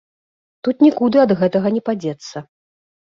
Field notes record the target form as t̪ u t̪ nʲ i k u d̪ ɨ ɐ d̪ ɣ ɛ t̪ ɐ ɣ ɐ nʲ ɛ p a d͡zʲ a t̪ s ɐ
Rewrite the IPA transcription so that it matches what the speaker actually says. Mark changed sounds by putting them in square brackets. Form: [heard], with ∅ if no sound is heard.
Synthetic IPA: t̪ u t̪ nʲ i k u d̪ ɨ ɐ d̪ ɣ ɛ t̪ ɐ ɣ ɐ nʲ ɛ p a d͡zʲ [ɛ] t̪ [sː] ɐ